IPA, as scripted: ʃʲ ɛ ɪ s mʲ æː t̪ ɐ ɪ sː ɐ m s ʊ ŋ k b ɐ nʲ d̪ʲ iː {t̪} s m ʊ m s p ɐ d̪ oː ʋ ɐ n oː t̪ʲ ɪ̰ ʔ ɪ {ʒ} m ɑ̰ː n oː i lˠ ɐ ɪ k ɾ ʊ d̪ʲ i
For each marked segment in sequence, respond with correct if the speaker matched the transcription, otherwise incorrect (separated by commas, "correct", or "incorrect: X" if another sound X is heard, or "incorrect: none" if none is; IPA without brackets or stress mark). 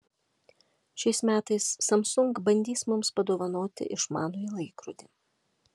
incorrect: none, incorrect: ʃ